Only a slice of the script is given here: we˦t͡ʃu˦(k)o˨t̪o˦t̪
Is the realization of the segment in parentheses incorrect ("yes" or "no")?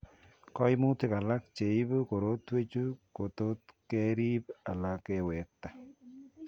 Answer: no